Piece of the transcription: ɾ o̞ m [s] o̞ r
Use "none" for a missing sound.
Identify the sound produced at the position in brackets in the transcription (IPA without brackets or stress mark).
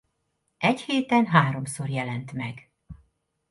s